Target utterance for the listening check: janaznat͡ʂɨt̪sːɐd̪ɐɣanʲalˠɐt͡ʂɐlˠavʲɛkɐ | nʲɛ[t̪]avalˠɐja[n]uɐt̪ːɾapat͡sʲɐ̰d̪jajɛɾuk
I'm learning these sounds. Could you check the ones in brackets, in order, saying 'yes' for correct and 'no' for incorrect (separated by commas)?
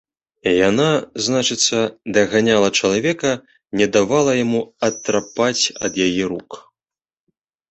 no, no